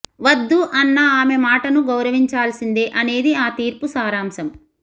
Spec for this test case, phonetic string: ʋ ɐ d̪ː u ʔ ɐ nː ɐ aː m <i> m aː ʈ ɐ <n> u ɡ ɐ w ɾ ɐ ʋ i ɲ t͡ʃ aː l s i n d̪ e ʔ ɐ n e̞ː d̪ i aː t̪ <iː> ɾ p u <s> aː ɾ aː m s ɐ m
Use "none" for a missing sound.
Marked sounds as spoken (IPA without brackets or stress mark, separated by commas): e, n, iː, s